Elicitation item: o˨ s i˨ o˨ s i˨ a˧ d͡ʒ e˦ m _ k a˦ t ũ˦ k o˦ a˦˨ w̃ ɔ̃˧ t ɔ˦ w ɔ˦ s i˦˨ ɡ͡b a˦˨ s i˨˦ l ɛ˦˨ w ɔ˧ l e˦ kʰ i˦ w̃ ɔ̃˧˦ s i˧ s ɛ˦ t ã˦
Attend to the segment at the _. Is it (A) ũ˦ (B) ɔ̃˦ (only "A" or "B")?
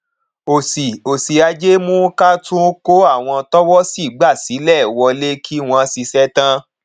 A